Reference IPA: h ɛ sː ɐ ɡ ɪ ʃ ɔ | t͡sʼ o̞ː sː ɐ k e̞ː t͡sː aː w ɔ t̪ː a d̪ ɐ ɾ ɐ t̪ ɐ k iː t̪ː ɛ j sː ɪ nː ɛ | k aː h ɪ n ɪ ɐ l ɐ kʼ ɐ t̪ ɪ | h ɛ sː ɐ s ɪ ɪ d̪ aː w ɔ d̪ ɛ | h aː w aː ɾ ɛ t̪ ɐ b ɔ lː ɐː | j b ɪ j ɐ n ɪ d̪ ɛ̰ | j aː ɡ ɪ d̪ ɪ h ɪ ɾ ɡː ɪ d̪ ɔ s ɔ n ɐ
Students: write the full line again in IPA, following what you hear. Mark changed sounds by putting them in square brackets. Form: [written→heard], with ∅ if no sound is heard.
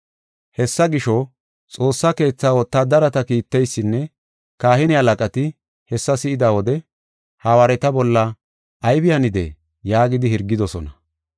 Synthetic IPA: h ɛ sː ɐ ɡ ɪ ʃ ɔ | t͡sʼ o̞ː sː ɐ k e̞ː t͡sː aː w ɔ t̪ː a d̪ ɐ ɾ ɐ t̪ ɐ k iː t̪ː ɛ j sː ɪ nː ɛ | k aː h ɪ n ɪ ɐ l ɐ kʼ ɐ t̪ ɪ | h ɛ sː ɐ s ɪ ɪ d̪ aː w ɔ d̪ ɛ | h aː w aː ɾ ɛ t̪ ɐ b ɔ lː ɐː | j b ɪ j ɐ n ɪ d̪ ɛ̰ | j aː ɡ ɪ d̪ ɪ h ɪ ɾ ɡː ɪ d̪ ɔ s ɔ n ɐ